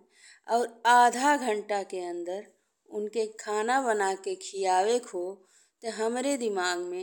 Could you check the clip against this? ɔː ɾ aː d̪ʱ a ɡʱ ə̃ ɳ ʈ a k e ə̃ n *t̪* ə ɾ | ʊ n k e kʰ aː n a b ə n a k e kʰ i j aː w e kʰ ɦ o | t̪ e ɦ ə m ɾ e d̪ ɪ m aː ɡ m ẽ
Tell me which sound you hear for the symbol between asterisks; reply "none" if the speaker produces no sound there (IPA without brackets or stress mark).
d̪